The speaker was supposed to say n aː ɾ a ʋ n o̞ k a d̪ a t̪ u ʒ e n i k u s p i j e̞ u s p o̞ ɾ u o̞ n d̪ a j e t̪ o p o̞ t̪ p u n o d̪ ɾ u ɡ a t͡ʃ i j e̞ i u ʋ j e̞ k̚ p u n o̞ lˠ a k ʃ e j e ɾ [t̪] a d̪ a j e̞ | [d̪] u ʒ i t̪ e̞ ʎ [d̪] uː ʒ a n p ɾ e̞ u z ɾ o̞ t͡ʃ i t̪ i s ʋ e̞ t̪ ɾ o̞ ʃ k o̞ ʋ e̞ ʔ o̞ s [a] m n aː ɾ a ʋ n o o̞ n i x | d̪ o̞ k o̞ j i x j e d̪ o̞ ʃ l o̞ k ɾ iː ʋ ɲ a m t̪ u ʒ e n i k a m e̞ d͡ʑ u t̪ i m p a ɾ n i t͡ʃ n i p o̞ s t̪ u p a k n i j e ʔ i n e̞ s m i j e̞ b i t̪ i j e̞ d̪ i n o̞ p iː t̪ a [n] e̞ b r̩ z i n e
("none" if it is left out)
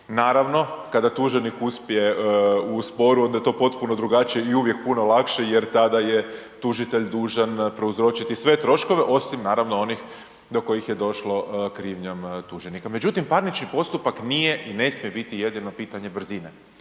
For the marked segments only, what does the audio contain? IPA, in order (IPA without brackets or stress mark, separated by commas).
t̪, t̪, d̪, i, ɲ